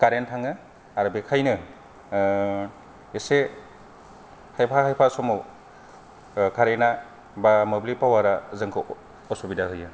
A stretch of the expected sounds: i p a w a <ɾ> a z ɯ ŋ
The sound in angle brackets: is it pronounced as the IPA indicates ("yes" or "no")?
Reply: yes